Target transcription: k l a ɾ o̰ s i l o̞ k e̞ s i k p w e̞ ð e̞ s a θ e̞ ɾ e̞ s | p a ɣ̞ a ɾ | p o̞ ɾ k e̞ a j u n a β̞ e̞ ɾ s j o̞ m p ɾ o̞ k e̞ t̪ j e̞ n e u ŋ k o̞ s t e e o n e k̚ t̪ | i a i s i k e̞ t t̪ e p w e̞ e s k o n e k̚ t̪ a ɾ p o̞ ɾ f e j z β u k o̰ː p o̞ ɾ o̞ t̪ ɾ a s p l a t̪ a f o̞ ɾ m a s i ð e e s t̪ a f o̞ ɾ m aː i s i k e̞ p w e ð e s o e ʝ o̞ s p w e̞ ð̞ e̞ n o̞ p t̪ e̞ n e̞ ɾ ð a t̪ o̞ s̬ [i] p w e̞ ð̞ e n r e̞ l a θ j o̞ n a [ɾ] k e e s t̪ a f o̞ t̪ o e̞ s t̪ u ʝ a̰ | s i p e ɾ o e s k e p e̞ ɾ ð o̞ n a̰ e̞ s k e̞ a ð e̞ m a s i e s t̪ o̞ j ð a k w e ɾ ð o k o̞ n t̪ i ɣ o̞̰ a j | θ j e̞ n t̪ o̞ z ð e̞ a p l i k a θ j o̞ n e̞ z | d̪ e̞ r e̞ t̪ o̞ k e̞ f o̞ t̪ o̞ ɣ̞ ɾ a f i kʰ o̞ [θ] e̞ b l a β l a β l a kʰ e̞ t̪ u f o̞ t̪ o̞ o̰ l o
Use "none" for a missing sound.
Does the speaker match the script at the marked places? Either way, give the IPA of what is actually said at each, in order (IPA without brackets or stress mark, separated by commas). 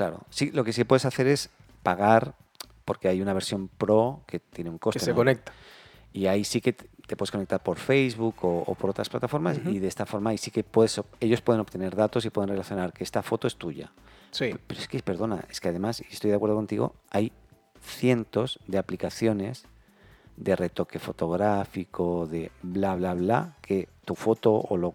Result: i, ɾ, ð